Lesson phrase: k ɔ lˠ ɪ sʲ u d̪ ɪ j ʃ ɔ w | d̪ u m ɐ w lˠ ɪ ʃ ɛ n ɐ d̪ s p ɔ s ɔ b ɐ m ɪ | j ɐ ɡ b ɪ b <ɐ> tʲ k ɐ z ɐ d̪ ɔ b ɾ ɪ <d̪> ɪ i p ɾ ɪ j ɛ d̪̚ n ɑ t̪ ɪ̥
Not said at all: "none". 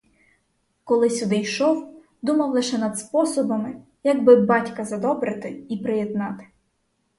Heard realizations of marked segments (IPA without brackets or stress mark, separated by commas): ɑ, t̪